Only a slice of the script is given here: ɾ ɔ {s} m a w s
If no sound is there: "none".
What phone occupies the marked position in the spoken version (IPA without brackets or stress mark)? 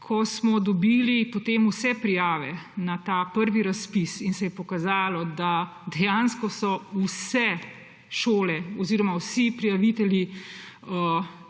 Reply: none